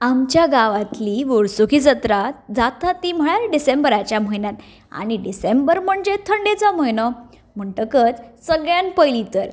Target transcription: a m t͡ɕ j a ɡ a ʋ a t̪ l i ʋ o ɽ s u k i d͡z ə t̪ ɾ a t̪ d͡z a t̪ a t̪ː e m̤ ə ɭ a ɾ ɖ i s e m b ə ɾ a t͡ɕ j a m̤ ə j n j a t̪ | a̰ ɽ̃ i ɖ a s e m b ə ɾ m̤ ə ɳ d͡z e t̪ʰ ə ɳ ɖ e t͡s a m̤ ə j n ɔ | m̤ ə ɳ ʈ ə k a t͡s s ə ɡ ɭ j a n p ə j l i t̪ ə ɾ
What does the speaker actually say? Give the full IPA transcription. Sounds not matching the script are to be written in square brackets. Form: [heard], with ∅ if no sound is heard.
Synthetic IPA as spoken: a m t͡ɕ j a ɡ a ʋ a t̪ l i ʋ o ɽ s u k i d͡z ə t̪ ɾ a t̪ d͡z a t̪ a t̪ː [i] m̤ ə ɭ a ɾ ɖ i s e m b ə ɾ a t͡ɕ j a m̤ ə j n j a t̪ | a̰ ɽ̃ i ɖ [i] s e m b ə ɾ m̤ ə ɳ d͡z e t̪ʰ ə ɳ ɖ e t͡s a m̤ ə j n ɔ | m̤ ə ɳ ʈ ə k [ə] t͡s s ə ɡ ɭ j a n p ə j l i t̪ ə ɾ